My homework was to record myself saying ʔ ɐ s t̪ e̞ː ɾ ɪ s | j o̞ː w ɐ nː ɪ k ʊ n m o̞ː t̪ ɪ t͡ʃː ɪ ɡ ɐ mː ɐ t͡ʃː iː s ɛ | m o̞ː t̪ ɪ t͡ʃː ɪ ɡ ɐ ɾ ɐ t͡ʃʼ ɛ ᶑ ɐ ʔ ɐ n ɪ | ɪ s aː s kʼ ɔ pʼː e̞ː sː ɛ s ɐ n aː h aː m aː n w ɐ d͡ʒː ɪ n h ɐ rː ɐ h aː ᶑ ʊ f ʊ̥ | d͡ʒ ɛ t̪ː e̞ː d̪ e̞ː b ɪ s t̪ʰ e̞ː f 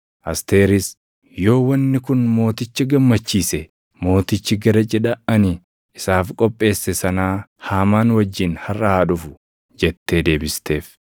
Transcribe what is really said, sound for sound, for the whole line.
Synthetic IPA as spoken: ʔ ɐ s t̪ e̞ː ɾ ɪ s | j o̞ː w ɐ nː ɪ k ʊ n m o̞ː t̪ ɪ t͡ʃː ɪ ɡ ɐ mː ɐ t͡ʃː iː s ɛ | m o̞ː t̪ ɪ t͡ʃː ɪ ɡ ɐ ɾ ɐ t͡ʃʼ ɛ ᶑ ɐ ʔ ɐ n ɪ | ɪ s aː f kʼ ɔ pʼː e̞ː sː ɛ s ɐ n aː h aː m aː n w ɐ d͡ʒː ɪ n h ɐ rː ɐ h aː ᶑ ʊ f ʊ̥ | d͡ʒ ɛ t̪ː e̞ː d̪ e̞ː b ɪ s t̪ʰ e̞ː f